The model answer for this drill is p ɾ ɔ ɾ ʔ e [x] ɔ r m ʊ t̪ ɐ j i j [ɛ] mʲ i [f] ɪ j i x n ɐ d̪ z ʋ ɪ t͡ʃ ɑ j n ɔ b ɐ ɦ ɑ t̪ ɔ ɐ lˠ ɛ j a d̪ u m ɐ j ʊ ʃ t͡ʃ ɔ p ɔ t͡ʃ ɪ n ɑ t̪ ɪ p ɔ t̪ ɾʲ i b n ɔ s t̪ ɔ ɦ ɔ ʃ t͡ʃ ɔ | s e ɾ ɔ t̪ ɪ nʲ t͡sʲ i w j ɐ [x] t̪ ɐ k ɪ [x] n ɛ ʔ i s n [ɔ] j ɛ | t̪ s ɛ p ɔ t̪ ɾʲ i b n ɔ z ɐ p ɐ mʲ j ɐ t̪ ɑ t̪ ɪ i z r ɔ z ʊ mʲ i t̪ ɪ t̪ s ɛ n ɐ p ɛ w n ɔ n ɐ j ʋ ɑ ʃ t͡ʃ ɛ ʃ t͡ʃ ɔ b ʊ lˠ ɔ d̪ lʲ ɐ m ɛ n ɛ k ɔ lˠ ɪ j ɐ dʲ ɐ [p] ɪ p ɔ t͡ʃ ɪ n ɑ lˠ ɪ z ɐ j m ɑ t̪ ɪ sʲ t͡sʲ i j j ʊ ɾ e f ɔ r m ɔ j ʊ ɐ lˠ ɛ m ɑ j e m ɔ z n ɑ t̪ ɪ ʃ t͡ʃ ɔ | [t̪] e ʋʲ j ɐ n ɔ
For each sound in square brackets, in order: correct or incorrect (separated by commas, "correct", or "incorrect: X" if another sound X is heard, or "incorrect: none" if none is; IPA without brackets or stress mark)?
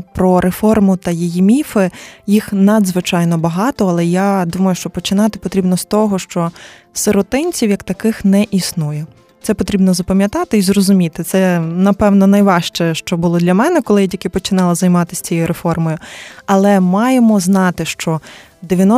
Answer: incorrect: f, incorrect: i, correct, incorrect: k, correct, incorrect: u, incorrect: k, incorrect: d̪